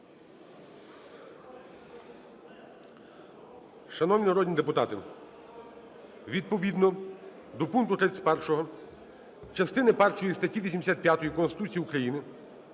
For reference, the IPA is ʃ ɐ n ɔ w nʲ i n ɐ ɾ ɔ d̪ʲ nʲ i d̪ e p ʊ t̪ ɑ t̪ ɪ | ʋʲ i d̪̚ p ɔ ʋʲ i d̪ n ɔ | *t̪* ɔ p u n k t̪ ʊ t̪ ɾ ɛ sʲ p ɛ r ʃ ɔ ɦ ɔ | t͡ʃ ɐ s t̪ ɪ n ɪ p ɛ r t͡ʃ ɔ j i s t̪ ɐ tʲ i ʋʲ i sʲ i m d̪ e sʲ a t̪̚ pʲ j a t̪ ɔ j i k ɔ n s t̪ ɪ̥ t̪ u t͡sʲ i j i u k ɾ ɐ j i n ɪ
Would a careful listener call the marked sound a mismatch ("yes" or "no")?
yes